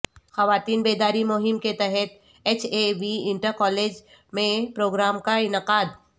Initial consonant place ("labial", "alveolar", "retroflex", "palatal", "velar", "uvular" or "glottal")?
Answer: velar